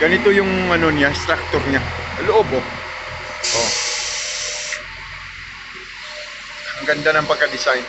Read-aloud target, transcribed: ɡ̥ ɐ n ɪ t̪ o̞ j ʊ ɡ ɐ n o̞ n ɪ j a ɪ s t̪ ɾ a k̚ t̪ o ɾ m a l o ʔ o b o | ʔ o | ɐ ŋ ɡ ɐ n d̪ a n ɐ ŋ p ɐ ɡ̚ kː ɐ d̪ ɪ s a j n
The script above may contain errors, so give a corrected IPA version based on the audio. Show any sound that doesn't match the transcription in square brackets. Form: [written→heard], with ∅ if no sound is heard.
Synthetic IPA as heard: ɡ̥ ɐ n ɪ t̪ o̞ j ʊ [ɡ→ŋ] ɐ n o̞ n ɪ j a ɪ s t̪ ɾ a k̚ t̪ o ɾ [m→ɲ] a l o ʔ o b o | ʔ o | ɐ ŋ ɡ ɐ n d̪ a n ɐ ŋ p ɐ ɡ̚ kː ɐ d̪ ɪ s a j n